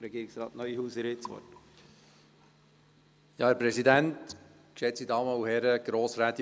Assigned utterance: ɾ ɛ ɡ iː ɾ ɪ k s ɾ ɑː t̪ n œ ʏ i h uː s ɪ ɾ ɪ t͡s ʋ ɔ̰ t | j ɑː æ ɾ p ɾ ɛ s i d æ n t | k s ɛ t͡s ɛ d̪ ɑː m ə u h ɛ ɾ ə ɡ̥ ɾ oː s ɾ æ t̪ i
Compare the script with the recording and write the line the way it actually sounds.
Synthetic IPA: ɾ ɛ ɡ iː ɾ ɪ k s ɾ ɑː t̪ n œ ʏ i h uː s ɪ ɾ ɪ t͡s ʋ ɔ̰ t | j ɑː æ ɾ p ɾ ɛ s i d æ n t | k ʃ ɛ t͡s i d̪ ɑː m ə u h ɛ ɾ ə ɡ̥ ɾ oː s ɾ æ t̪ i

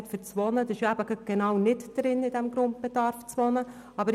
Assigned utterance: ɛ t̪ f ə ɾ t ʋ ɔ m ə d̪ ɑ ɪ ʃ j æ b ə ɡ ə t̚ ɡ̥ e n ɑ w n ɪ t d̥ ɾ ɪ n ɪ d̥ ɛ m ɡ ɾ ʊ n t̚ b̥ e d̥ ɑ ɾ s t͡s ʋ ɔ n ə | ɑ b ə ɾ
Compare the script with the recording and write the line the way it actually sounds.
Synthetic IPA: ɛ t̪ f ə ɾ t͡s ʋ ɔ n ə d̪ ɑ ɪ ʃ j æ b ə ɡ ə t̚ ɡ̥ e n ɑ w n ɪ t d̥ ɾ ɪ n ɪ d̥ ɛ m ɡ ɾ ʊ n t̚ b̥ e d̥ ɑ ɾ f t͡s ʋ ɔ n ə | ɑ b ə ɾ

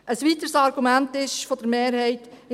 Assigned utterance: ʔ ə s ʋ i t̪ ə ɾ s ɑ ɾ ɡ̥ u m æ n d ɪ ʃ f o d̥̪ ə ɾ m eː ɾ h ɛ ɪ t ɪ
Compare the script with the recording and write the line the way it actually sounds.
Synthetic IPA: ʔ ə s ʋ i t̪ ə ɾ s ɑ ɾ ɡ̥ u m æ n t ɪ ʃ f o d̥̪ ə ɾ m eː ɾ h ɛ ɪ t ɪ

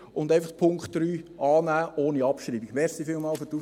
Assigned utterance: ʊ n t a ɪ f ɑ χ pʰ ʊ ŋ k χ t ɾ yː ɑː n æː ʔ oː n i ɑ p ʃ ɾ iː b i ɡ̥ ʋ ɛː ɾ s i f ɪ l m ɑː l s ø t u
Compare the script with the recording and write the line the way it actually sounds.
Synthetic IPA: ʊ n d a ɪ f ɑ χ pʰ ʊ ŋ k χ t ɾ yː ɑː n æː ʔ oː n i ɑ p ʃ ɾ iː b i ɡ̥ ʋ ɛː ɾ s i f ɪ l m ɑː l f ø t u

